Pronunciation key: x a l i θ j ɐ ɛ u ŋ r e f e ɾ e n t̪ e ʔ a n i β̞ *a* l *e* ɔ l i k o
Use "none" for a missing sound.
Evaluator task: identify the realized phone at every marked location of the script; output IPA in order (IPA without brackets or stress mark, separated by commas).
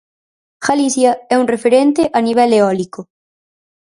ɛ, e